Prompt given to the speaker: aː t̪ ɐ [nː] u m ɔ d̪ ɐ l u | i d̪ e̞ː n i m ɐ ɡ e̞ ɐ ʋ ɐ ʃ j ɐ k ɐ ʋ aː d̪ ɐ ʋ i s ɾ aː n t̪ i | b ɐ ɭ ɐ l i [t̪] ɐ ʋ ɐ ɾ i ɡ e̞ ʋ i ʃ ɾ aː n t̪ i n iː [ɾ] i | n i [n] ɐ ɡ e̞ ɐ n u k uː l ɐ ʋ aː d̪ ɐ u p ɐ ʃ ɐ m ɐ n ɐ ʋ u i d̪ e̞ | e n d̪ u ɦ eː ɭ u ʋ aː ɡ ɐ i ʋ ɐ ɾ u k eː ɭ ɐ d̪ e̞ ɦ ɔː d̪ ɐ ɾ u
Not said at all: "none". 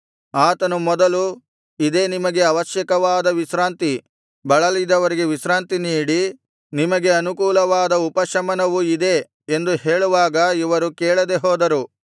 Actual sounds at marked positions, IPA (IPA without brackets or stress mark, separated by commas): n, d̪, ɽ, m